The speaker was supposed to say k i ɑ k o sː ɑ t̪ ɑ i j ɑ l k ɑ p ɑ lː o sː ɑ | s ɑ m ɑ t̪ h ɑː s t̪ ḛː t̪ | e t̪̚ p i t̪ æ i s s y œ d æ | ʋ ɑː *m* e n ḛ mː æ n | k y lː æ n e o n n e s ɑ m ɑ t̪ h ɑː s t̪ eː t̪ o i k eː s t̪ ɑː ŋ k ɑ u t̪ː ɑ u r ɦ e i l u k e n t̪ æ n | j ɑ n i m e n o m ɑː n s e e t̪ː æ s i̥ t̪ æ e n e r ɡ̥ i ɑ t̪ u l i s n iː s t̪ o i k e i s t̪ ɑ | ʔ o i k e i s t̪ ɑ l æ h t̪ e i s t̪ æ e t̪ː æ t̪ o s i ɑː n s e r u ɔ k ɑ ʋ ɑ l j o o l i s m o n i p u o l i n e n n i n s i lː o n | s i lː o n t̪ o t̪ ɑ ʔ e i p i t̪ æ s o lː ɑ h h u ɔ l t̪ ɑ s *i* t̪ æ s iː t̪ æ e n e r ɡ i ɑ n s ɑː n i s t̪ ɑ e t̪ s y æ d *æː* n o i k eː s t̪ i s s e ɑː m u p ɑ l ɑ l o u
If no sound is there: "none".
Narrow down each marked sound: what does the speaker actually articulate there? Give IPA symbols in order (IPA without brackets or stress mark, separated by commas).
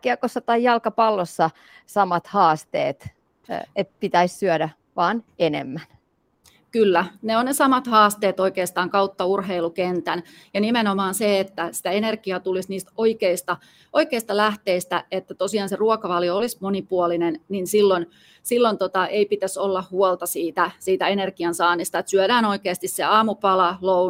n, iː, æː